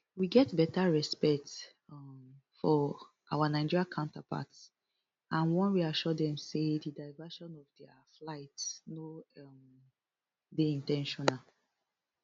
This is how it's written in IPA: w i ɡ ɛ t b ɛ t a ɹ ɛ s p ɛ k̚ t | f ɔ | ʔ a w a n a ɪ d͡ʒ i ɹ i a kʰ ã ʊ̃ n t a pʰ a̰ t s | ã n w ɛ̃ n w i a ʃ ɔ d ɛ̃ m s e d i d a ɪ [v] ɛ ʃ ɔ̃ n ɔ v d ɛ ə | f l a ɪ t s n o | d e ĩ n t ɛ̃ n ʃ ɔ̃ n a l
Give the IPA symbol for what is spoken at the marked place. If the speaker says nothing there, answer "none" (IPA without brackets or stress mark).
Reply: v